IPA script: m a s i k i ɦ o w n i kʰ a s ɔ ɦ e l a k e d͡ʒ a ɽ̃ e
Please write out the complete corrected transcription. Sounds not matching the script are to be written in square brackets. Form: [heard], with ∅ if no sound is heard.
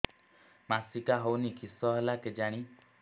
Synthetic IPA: m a s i k [a] ɦ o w n i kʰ [i] s ɔ ɦ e l a k e d͡ʒ a ɽ̃ [i]

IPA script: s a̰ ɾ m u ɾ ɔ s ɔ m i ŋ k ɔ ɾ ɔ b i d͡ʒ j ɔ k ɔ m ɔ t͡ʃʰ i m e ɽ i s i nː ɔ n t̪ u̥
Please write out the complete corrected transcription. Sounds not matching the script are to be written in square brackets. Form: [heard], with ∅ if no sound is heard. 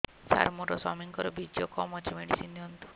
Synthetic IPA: s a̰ ɾ m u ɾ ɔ s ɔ m i ŋ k ɔ ɾ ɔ b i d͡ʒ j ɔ k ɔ m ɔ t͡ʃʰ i m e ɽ i s i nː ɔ n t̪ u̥

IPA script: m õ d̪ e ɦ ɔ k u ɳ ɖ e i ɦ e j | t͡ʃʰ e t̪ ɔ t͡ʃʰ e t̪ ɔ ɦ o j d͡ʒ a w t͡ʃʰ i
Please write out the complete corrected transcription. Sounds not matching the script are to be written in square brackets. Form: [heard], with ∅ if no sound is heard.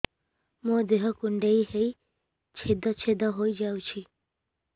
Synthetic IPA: m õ d̪ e ɦ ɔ k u ɳ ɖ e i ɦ e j | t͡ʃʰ e [d̪] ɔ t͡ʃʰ e [d̪] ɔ ɦ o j d͡ʒ a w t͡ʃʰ i

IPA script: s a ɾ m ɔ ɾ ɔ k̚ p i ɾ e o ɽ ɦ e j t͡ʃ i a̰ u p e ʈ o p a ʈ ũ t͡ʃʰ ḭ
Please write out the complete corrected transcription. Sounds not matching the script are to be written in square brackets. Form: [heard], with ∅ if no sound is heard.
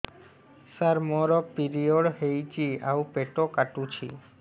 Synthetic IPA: s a ɾ m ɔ ɾ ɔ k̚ p i ɾ [i] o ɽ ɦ e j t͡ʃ i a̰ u p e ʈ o [k] a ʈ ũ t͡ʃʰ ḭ

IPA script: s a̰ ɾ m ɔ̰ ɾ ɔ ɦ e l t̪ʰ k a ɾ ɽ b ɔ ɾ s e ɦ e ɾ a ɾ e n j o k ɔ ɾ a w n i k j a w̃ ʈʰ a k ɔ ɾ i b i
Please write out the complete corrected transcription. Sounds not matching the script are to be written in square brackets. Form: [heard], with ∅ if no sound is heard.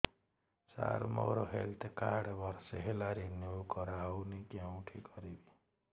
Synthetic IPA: s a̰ ɾ m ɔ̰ ɾ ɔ ɦ e l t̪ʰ k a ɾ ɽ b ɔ ɾ s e ɦ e [l] a ɾ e n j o k ɔ ɾ a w n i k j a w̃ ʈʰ [i] k ɔ ɾ i b i

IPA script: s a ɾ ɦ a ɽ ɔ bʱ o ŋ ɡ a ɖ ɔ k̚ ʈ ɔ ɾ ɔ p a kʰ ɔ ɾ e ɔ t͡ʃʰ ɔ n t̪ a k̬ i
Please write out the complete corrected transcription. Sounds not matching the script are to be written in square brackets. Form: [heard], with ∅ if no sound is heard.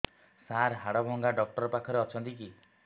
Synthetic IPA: s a ɾ ɦ a ɽ ɔ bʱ [ɔ] ŋ ɡ a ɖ ɔ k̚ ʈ ɔ ɾ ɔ p a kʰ ɔ ɾ e ɔ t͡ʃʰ ɔ n t̪ [i] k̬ i

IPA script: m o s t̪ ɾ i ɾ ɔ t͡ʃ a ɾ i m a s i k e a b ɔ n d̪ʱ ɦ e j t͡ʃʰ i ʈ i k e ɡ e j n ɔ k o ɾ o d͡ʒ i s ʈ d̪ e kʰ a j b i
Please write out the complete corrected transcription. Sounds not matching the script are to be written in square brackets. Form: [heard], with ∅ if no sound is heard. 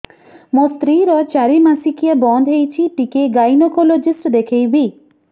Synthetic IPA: m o s t̪ ɾ i ɾ ɔ t͡ʃ a ɾ i m a s i k [i] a b ɔ n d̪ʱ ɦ e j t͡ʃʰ i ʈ i k e ɡ [a] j n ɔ k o [l] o d͡ʒ i s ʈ d̪ e kʰ [e] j b i

